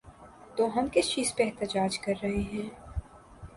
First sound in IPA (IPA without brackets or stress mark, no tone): t̪